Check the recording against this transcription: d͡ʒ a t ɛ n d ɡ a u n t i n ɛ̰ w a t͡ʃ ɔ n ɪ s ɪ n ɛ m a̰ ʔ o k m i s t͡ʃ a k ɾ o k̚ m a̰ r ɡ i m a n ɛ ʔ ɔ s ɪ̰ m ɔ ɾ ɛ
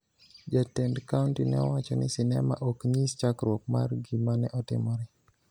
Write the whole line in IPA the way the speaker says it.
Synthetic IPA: d͡ʒ a t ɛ n d k a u n t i n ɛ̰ w a t͡ʃ ɔ n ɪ s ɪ n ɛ m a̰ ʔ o k ɲ i s t͡ʃ a k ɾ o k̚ m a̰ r ɡ i m a n ɛ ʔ ɔ t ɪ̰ m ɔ ɾ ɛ